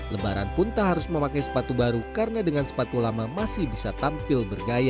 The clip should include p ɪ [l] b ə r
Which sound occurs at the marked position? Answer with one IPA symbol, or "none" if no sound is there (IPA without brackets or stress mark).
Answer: l